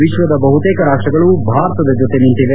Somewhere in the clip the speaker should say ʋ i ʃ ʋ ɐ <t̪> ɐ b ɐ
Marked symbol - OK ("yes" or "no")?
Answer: no